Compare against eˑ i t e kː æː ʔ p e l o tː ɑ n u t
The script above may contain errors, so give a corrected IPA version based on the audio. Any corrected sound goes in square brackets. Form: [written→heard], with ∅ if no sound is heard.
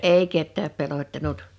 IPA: eˑ i [t→k] e [kː→tː] æː [ʔ→p] p e l o tː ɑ n u t